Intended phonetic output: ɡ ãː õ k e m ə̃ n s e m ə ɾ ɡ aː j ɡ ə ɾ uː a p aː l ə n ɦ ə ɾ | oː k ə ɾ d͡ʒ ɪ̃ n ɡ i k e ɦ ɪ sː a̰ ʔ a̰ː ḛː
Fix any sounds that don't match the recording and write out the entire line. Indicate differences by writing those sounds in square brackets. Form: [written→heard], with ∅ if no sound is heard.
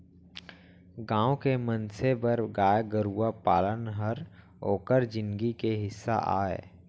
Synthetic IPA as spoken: ɡ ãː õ k e m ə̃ n s e [m→b] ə ɾ ɡ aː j ɡ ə ɾ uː a p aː l ə n ɦ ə ɾ | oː k ə ɾ d͡ʒ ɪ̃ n ɡ i k e ɦ ɪ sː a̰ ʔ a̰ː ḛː